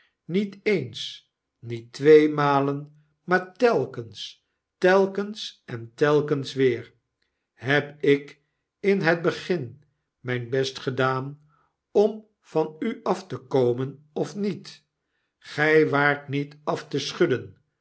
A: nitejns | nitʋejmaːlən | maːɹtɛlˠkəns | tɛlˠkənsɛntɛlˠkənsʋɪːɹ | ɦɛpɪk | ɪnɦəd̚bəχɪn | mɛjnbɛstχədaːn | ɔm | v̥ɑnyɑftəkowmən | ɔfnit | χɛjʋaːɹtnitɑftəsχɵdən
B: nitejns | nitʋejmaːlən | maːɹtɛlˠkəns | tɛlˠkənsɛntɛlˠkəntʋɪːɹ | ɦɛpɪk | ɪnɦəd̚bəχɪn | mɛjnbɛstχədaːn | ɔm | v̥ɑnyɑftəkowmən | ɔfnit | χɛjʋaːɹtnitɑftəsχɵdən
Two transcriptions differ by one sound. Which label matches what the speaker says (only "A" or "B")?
A